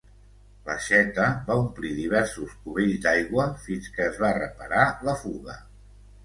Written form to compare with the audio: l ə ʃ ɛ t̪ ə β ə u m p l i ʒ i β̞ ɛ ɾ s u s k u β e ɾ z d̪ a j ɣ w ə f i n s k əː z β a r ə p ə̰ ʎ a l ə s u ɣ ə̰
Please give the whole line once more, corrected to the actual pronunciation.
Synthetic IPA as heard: l ə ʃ ɛ t̪ ə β a u m p l i ð i β̞ ɛ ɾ s u s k u β e ʎ z d̪ a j ɣ w ə f i n s k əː z β a r ə p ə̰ ɾ a l ə f u ɣ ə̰